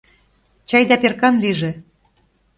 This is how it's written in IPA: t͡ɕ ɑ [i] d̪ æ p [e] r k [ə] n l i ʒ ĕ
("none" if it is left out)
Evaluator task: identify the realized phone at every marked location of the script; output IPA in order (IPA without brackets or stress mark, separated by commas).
j, e, ɑ